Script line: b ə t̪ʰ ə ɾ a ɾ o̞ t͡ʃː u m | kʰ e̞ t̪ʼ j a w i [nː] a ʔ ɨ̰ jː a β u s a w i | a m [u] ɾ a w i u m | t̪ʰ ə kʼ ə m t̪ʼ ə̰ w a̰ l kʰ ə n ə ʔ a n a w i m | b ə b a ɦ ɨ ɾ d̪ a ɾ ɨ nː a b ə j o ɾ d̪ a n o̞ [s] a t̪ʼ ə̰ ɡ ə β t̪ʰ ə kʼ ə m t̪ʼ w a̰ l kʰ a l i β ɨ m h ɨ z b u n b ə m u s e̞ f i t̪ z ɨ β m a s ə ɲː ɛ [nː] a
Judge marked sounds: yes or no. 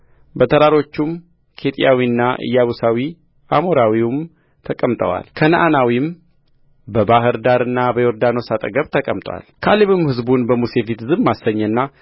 yes, no, yes, yes

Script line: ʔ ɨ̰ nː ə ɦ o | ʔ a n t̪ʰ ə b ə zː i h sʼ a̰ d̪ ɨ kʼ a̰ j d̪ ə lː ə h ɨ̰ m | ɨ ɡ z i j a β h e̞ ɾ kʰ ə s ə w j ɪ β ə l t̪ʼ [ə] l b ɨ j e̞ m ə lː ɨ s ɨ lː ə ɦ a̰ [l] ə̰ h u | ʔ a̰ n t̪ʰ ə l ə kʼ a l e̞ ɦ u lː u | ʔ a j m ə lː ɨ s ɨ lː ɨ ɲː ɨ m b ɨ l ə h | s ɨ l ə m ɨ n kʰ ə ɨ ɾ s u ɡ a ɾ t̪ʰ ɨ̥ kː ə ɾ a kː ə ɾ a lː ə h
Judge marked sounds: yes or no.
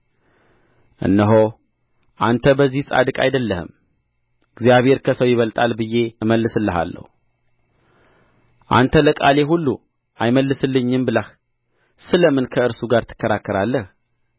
no, no

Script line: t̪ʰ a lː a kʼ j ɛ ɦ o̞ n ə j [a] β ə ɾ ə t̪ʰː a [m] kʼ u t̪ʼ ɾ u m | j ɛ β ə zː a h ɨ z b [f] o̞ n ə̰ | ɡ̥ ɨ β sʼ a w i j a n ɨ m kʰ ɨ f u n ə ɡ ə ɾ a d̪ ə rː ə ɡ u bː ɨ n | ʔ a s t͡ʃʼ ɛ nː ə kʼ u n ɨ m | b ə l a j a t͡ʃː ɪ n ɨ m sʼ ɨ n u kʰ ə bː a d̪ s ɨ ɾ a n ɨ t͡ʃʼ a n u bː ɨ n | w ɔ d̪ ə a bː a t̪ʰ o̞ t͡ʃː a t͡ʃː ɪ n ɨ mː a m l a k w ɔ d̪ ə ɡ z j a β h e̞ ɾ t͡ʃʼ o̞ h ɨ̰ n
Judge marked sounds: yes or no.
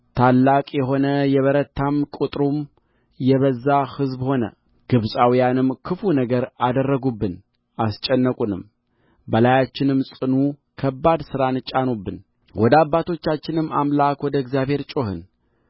no, yes, no

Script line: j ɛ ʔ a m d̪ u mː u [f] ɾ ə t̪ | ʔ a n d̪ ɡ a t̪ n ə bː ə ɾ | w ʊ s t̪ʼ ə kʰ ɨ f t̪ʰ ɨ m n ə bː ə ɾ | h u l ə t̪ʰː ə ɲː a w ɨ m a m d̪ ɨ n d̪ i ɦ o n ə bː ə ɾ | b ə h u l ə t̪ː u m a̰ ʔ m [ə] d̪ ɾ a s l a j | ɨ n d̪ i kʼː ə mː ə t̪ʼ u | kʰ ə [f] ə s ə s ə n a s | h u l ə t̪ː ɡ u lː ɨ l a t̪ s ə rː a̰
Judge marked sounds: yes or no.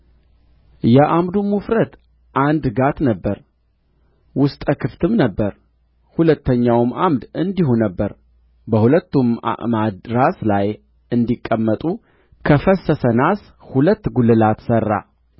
yes, no, yes

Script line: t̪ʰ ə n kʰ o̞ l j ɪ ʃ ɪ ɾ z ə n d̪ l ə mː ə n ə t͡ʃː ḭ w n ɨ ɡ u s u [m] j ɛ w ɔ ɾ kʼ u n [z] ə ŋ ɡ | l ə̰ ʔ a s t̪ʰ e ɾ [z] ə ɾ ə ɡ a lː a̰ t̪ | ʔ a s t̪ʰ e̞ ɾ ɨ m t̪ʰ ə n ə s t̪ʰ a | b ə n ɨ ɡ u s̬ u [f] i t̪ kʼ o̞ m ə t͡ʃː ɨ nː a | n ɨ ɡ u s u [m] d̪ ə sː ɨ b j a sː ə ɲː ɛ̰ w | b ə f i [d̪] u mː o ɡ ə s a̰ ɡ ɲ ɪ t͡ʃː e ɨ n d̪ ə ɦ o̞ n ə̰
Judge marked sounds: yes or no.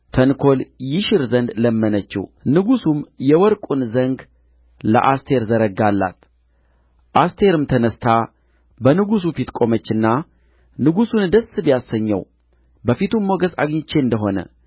yes, yes, yes, yes, no, no

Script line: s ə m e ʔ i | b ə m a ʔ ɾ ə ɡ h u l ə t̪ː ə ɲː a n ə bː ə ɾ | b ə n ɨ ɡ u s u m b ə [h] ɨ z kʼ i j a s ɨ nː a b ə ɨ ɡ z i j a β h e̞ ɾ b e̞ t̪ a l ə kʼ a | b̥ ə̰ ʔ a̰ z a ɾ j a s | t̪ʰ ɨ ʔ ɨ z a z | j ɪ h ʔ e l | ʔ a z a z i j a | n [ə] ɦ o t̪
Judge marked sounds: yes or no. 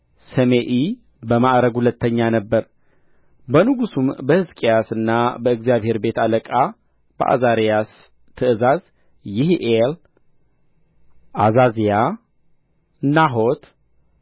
yes, no

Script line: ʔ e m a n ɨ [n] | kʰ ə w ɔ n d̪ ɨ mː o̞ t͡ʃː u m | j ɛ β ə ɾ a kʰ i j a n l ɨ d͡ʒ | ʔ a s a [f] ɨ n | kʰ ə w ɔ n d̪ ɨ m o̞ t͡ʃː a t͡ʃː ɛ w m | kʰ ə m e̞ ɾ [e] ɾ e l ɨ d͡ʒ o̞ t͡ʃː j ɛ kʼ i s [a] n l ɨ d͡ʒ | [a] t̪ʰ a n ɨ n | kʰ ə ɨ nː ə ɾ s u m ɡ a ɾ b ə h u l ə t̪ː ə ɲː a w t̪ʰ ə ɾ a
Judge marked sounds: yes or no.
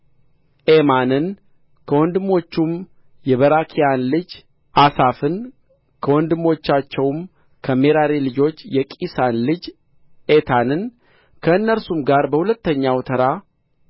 yes, yes, no, yes, no

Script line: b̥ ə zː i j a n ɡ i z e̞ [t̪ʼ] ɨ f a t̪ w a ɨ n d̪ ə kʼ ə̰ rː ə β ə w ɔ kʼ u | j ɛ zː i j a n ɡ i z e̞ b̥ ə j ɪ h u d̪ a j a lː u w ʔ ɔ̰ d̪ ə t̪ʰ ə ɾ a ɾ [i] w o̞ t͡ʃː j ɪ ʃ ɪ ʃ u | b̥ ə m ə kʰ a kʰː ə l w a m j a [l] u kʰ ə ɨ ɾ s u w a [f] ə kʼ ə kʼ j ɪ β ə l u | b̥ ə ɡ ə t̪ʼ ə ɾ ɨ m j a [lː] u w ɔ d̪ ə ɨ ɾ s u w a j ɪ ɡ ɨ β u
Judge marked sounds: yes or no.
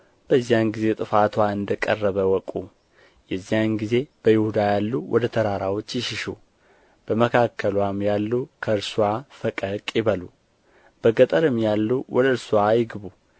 yes, no, no, yes, yes

